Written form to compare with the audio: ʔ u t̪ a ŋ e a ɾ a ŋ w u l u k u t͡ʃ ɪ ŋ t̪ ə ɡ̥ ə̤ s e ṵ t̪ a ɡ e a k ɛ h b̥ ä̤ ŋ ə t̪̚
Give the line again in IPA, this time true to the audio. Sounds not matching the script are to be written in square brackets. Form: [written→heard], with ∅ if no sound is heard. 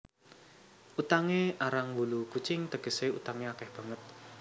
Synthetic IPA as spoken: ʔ u t̪ a ŋ e a ɾ a ŋ w u l u k u t͡ʃ ɪ ŋ t̪ ə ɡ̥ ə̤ s e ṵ t̪ a [ɡ→ŋ] e a k ɛ h b̥ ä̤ ŋ ə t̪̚